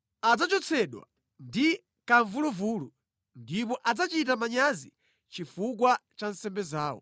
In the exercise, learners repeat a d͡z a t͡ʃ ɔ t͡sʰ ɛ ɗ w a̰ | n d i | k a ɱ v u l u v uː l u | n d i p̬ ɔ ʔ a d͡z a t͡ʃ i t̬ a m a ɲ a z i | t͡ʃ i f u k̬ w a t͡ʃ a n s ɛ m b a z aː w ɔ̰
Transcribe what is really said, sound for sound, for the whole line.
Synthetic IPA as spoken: a d͡z a t͡ʃ ɔ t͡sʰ ɛ ɗ w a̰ | n d i | k a ɱ v u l u v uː l u | n d i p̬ ɔ ʔ a d͡z a t͡ʃ i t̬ a m a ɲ a z i | t͡ʃ i f u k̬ w a t͡ʃ a n s ɛ m b ɛ z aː w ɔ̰